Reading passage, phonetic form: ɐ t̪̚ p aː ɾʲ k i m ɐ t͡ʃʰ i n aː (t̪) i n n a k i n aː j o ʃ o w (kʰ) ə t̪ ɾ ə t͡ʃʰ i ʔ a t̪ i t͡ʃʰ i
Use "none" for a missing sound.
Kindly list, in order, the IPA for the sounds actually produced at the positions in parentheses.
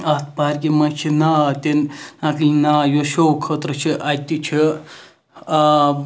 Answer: t̪, kʰ

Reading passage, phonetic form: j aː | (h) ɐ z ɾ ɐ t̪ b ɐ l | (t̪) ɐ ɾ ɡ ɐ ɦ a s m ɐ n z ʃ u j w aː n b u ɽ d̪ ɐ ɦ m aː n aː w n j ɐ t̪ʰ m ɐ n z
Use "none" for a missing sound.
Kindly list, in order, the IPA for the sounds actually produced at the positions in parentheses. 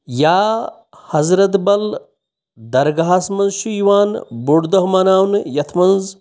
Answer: h, d̪

